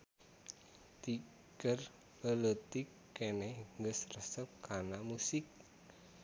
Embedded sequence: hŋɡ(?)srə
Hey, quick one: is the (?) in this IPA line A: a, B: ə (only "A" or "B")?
B